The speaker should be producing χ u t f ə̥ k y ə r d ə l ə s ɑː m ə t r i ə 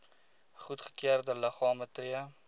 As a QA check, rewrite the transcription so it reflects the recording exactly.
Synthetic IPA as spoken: χ u t χ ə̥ k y ə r d ə l ə χ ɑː m ə t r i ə